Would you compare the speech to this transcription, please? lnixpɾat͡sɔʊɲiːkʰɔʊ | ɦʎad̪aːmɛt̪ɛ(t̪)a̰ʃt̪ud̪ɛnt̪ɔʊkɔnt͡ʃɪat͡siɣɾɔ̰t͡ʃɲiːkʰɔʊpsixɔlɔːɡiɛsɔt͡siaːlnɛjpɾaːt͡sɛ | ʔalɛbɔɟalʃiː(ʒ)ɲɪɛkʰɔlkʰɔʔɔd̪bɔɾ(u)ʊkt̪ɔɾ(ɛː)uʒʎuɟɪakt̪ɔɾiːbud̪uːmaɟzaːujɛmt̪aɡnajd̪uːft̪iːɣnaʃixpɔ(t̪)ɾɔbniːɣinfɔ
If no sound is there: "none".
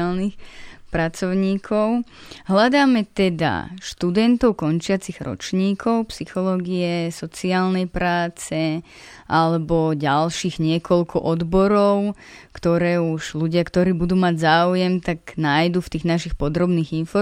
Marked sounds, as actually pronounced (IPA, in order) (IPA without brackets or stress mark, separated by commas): d̪, ɣ, ɔ, ɛː, d̪